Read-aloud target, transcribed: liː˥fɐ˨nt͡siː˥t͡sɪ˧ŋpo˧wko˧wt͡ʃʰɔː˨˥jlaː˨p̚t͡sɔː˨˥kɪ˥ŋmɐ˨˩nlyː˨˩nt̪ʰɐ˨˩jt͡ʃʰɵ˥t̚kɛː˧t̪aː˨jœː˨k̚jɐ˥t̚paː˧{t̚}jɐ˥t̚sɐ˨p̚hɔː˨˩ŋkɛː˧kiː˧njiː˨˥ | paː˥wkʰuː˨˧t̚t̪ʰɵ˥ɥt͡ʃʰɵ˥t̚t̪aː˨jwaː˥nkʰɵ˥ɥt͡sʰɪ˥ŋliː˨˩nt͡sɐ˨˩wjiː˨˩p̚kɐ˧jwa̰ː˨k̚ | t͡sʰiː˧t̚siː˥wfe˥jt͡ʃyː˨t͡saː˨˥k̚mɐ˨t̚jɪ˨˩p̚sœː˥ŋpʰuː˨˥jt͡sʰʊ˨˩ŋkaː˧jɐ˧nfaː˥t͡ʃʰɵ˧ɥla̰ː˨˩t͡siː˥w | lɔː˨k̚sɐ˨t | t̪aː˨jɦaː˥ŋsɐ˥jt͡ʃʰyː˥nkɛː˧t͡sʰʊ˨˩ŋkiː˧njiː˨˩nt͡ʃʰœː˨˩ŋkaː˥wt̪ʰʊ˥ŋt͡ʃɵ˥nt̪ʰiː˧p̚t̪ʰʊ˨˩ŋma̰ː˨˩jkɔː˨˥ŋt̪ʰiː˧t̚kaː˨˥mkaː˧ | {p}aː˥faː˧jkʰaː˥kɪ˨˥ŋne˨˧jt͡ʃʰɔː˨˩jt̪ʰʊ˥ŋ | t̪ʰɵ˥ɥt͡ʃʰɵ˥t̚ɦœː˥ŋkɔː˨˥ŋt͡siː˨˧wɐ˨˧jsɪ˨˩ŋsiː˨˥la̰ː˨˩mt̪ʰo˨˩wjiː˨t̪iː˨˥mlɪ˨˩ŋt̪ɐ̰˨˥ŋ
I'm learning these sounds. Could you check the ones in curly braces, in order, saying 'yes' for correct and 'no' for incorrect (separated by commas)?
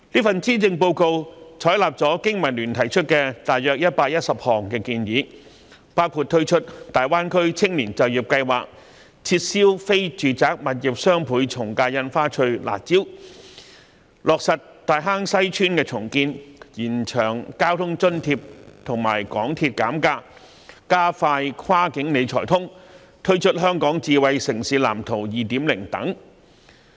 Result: no, no